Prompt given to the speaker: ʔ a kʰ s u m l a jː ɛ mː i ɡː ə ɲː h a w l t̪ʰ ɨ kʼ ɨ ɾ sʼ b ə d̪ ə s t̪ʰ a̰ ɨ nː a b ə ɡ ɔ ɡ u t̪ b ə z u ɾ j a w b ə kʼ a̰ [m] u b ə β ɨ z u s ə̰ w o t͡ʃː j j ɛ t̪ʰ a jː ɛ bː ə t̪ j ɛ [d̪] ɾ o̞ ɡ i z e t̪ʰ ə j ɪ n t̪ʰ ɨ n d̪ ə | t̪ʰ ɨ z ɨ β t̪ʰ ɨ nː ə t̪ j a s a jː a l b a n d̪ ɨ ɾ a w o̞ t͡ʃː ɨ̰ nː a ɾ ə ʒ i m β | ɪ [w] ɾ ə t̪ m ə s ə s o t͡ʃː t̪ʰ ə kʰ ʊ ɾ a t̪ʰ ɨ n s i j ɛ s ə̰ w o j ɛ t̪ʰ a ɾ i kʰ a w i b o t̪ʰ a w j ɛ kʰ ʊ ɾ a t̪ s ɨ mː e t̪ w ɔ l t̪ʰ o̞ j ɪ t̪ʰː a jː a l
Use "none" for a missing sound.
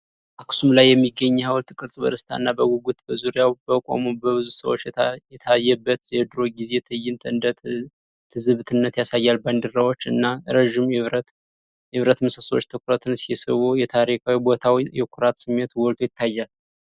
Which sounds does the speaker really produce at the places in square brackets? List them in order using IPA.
m, d̪, β

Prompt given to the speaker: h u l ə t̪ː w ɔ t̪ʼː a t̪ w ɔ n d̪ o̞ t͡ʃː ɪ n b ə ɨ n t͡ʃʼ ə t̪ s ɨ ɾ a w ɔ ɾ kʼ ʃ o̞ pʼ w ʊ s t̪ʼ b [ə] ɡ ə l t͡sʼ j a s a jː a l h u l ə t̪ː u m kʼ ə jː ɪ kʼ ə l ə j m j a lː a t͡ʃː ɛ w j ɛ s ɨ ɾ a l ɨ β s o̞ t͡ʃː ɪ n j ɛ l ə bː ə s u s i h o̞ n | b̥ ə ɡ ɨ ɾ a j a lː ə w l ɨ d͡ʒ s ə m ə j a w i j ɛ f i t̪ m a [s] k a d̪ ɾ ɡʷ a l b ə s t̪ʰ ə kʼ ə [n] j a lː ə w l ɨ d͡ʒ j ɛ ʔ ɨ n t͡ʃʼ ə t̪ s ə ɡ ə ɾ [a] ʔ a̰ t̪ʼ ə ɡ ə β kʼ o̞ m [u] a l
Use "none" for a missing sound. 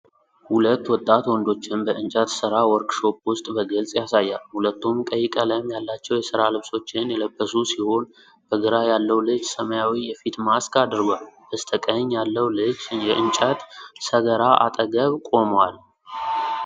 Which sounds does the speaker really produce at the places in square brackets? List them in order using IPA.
ə, s, ɲ, a, w

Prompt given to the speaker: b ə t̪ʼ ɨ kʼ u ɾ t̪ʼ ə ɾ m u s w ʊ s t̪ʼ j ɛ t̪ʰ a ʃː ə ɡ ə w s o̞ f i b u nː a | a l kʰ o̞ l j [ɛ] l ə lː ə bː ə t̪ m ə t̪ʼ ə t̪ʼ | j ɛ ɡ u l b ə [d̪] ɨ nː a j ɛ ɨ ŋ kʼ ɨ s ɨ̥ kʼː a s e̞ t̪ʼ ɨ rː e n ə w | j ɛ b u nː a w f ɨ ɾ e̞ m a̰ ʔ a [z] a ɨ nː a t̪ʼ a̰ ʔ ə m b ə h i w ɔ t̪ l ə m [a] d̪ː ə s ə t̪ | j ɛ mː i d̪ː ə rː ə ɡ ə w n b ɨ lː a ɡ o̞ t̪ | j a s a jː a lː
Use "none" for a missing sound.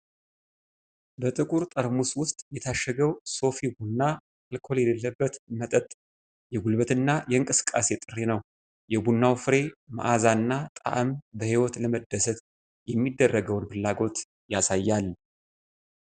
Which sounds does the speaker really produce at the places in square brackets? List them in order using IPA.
ɛ, t̪, z, ə

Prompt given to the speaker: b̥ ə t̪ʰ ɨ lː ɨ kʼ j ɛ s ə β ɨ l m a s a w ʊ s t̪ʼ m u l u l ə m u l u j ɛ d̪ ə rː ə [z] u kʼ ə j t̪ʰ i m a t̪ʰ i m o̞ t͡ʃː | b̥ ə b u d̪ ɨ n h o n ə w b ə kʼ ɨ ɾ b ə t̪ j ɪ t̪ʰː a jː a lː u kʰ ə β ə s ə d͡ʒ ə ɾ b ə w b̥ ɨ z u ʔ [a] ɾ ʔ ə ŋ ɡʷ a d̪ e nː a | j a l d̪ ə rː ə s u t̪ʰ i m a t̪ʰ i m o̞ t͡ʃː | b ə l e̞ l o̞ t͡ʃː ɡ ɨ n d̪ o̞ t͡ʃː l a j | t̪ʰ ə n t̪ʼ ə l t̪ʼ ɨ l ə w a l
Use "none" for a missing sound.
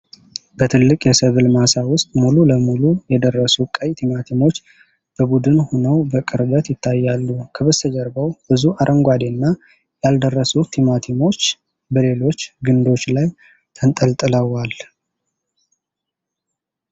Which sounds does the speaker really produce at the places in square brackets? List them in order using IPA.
s, a

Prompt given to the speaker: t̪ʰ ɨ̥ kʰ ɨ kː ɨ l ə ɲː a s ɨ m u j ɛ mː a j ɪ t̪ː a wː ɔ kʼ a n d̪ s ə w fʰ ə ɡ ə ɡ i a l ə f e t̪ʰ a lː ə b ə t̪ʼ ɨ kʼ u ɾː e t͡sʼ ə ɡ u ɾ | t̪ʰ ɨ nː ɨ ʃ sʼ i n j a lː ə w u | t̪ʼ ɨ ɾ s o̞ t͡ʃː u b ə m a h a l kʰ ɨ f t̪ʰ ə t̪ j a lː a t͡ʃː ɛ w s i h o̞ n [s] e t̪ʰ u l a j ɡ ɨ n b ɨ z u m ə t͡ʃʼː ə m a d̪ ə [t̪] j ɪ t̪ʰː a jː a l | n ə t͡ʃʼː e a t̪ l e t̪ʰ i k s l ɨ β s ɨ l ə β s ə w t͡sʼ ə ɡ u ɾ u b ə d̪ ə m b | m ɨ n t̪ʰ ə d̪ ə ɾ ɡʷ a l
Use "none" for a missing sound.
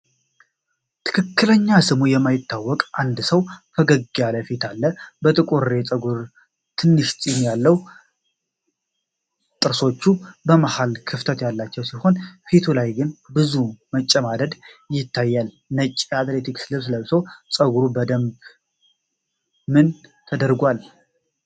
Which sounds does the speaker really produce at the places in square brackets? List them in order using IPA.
f, d̪

